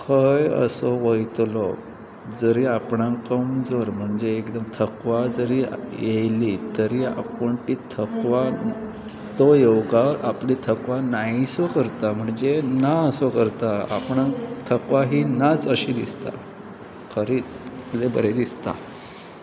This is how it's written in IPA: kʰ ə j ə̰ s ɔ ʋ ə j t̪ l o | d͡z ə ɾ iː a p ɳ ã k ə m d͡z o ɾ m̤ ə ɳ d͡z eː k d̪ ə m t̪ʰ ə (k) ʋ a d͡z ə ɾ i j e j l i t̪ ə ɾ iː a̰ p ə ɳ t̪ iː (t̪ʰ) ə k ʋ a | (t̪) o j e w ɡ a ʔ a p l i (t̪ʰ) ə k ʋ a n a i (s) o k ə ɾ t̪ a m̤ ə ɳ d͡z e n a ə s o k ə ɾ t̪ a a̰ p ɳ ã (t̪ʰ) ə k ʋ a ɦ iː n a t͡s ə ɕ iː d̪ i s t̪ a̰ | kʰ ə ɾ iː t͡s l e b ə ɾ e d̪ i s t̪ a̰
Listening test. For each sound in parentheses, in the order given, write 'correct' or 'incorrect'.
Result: correct, correct, correct, correct, correct, correct

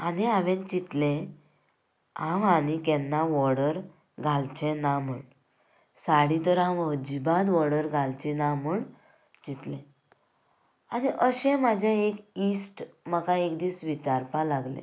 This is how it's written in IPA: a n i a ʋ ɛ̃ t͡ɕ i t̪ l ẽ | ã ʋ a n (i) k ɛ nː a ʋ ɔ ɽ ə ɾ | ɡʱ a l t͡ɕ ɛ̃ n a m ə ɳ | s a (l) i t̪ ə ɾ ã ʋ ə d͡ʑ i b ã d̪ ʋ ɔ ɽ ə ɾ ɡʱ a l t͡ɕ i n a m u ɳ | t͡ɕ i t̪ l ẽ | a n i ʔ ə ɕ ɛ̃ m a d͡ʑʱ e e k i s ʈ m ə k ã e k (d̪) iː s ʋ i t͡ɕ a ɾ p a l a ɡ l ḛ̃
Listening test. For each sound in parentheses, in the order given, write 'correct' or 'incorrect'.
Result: correct, incorrect: ɽ, correct

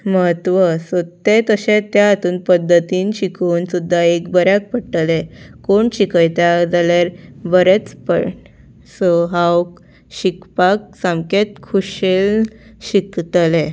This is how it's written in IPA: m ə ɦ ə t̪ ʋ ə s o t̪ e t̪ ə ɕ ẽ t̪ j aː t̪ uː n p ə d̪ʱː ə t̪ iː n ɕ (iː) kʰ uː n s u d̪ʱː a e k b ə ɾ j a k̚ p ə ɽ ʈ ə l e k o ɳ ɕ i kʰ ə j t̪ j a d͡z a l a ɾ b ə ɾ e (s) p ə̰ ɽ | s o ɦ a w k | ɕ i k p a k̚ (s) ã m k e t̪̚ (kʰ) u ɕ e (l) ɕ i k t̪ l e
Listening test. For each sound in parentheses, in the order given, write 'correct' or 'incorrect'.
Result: incorrect: i, incorrect: t͡s, correct, correct, correct

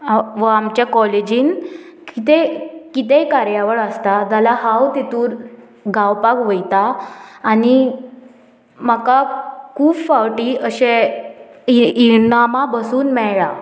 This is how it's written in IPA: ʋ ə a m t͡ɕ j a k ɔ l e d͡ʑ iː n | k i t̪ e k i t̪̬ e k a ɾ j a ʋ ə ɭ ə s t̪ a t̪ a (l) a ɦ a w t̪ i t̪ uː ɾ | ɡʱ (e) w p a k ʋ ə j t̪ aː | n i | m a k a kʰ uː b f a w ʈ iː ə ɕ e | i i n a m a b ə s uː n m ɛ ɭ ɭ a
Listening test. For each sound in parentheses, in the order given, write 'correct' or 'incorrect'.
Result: correct, incorrect: a

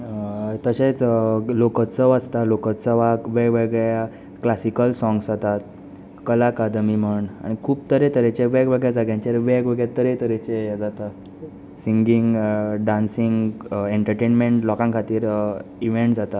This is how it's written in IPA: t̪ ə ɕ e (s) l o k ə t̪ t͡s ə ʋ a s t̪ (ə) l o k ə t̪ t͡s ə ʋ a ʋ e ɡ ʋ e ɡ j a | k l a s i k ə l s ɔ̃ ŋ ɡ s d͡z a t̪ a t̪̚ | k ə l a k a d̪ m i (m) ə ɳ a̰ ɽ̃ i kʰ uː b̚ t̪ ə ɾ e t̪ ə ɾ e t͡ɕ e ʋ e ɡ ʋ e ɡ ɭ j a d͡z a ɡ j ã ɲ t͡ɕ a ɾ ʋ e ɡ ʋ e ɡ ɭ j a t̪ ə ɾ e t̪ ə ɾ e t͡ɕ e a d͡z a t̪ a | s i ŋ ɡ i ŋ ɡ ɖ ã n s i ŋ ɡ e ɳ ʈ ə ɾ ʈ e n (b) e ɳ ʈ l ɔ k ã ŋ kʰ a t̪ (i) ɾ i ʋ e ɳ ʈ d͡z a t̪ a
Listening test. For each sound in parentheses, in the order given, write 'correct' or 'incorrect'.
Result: incorrect: t͡s, incorrect: a, correct, incorrect: m, incorrect: iː

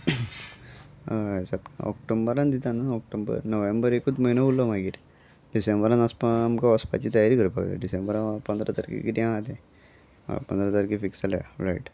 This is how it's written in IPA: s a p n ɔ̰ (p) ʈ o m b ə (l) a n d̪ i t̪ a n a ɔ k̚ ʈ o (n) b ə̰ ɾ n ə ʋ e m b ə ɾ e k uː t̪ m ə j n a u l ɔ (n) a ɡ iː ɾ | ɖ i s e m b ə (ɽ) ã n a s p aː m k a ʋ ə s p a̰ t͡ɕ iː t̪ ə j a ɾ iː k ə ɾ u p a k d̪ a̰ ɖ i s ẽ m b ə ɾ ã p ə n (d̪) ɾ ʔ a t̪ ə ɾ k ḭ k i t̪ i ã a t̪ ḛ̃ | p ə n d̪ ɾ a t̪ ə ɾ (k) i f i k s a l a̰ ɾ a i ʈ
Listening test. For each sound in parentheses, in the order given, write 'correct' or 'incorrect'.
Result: incorrect: k, incorrect: ɾ, incorrect: m, incorrect: m, incorrect: ɾ, correct, correct

